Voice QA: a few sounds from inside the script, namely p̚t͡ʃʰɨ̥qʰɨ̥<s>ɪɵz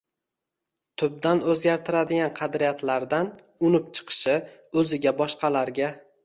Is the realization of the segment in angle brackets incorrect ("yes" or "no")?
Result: yes